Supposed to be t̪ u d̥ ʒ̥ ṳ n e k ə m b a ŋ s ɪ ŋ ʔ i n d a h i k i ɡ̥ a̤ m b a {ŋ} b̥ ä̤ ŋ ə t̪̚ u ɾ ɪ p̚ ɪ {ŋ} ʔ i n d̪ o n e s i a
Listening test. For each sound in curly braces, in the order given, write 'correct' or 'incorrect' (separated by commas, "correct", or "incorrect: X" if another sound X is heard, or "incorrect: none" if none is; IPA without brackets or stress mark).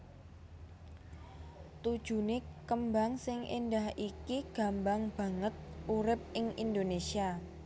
correct, correct